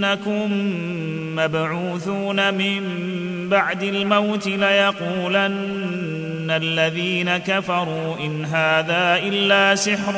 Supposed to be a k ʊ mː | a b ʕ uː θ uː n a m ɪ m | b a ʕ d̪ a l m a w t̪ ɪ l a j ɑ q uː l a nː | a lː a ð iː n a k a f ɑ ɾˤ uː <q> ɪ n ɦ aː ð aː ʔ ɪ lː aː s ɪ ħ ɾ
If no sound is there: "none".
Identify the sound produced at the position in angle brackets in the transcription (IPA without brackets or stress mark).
ʔ